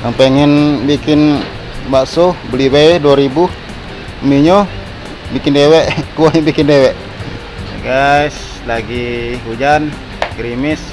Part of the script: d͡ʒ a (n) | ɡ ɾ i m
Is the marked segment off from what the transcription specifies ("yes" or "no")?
no